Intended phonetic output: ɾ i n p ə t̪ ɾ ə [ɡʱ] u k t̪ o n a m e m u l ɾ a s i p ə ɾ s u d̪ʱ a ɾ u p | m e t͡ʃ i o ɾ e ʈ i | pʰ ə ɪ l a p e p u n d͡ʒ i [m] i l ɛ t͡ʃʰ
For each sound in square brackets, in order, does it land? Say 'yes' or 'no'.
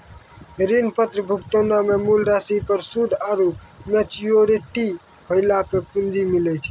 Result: no, yes

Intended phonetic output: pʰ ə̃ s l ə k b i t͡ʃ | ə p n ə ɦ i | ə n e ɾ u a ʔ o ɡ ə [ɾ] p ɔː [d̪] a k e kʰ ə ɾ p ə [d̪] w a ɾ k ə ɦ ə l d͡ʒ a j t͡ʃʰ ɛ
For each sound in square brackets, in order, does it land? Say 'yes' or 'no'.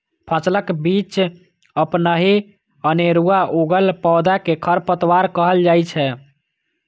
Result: no, yes, no

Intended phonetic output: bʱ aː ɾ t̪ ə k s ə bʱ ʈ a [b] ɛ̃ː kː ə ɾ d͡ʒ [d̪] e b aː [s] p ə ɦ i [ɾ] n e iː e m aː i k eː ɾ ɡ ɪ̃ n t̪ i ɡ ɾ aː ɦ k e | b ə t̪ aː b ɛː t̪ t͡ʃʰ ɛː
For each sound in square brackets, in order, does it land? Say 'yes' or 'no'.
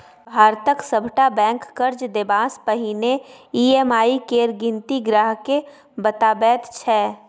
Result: yes, yes, yes, no

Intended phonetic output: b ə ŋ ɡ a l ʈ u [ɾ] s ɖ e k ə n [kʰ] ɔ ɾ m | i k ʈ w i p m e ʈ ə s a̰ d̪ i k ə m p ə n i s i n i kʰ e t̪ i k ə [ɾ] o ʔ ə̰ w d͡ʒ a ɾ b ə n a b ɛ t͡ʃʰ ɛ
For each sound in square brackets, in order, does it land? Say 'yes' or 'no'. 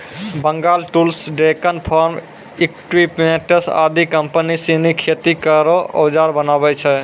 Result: no, no, yes

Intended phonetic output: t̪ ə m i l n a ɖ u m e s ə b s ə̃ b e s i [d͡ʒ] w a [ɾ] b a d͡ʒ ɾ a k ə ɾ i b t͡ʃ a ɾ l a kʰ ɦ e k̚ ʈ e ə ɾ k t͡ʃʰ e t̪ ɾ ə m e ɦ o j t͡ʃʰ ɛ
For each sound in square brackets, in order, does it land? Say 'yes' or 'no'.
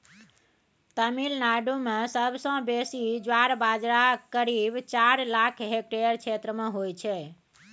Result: yes, yes

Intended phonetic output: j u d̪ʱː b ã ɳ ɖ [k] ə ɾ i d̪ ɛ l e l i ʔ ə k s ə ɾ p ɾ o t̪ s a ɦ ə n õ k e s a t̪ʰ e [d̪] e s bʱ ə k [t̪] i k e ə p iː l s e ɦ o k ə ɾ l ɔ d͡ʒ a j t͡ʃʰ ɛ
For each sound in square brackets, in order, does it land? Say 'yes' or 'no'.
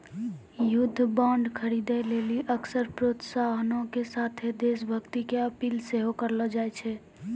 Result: no, yes, yes

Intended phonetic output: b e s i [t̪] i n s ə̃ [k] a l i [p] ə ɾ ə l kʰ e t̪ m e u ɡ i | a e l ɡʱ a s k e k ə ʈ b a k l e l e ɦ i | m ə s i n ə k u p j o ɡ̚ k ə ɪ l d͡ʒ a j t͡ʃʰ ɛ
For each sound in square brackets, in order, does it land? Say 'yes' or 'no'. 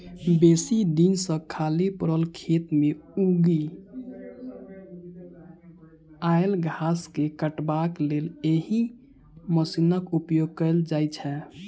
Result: no, no, yes

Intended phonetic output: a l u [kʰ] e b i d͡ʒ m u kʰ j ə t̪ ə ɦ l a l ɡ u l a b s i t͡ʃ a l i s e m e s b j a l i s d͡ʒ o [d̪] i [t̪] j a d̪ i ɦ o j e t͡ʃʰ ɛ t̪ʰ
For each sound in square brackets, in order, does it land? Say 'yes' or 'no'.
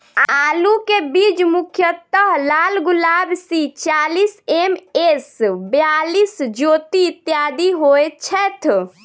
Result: no, no, yes

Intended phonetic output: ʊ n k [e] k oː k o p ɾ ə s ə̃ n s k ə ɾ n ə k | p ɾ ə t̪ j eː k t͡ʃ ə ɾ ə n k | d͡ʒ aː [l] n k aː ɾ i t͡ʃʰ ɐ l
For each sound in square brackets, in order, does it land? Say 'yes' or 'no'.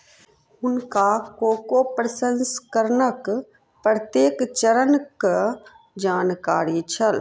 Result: no, no

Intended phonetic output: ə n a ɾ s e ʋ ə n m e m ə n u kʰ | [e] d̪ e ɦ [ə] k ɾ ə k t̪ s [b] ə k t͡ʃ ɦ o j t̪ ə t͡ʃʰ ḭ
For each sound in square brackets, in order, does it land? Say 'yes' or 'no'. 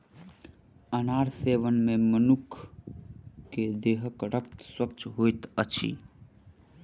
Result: yes, yes, no

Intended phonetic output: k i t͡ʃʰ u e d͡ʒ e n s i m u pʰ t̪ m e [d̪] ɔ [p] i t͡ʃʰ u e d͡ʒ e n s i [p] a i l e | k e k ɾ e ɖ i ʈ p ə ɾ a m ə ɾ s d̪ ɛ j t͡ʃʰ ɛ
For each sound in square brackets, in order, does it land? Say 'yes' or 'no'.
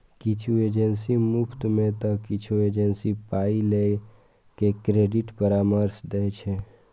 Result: no, no, yes

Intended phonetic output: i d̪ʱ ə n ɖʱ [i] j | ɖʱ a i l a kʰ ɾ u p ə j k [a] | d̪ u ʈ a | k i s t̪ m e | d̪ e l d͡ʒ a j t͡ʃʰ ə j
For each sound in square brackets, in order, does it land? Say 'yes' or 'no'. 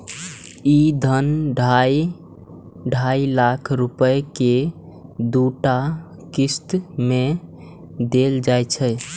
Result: no, no

